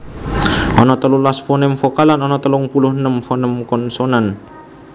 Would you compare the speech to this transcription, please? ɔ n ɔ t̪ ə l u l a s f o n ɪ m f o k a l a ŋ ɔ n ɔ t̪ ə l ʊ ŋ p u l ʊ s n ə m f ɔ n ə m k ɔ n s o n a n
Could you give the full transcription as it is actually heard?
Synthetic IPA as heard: ɔ n ɔ t̪ ə l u l a s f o n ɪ m f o k a l a n ɔ n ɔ t̪ ə l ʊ ŋ p u l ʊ h n ə m f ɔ n ə m k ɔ n s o n a n